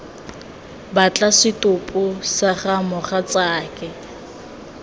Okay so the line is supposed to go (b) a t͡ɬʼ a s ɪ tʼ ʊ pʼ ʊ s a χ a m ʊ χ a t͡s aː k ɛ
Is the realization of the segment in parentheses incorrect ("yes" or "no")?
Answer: no